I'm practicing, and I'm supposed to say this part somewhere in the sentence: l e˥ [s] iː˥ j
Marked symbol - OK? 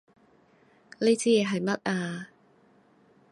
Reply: no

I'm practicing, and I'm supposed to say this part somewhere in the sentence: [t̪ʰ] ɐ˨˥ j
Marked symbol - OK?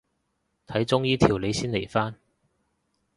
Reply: yes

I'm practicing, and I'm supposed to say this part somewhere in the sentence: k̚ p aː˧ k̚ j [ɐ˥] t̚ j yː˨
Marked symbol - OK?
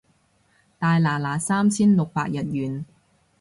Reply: no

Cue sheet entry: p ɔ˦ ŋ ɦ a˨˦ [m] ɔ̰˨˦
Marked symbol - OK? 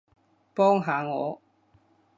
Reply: no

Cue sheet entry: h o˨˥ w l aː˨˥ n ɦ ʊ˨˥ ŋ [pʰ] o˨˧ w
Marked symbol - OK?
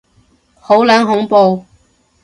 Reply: no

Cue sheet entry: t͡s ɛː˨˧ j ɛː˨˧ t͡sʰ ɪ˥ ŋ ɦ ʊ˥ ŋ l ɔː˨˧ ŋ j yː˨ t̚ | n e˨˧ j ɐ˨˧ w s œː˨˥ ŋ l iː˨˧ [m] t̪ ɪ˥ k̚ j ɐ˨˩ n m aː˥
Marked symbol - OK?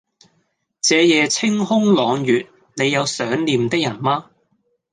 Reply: yes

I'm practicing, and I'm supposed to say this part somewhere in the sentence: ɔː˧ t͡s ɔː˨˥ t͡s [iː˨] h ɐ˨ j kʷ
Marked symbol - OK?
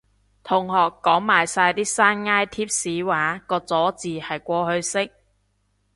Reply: yes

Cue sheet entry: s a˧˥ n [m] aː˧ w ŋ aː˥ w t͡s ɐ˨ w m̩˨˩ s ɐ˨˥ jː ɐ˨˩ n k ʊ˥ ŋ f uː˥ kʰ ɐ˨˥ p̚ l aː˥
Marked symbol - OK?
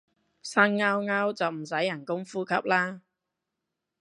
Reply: no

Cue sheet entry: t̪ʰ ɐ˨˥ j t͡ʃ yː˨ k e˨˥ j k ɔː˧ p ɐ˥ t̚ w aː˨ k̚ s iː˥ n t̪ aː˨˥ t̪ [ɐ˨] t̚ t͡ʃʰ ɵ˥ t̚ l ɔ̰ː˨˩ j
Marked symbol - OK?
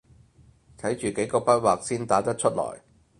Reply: no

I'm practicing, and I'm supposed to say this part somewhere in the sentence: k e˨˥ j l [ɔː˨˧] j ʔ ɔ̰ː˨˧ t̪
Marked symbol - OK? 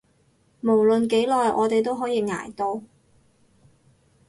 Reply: yes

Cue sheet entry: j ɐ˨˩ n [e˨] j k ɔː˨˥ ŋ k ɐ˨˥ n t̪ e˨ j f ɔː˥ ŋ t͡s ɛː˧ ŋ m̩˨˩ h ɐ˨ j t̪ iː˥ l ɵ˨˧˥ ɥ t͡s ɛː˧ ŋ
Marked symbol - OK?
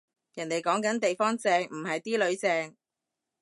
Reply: yes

